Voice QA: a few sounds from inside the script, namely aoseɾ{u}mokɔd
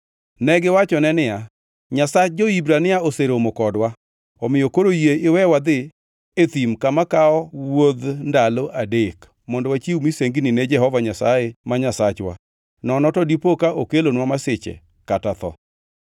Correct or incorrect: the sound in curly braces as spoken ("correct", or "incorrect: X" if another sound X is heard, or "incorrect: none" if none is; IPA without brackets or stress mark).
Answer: incorrect: o